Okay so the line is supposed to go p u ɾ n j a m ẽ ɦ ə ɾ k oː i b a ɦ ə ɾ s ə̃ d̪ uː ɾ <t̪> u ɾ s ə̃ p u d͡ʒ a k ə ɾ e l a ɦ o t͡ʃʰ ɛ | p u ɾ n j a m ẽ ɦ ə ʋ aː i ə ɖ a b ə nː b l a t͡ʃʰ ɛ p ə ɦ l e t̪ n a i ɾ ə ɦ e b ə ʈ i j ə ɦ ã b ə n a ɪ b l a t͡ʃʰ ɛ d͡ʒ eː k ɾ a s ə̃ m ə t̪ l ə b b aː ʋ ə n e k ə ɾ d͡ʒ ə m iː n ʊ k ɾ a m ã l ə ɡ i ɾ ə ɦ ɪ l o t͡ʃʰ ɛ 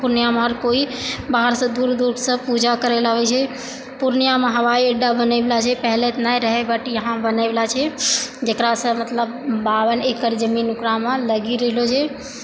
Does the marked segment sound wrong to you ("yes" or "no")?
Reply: yes